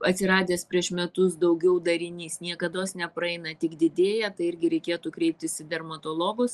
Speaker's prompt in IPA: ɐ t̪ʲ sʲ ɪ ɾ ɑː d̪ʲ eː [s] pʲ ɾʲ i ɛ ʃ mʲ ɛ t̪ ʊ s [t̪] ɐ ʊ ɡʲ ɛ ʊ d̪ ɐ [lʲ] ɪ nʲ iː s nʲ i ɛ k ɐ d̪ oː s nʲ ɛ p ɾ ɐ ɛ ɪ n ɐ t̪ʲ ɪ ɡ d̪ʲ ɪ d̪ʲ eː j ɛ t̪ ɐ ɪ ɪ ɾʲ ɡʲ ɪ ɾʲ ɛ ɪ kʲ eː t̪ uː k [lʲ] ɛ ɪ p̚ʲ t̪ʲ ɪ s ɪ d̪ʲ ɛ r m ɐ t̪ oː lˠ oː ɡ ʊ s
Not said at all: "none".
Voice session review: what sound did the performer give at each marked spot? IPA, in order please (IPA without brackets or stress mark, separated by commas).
s, d̪, ɾʲ, ɾʲ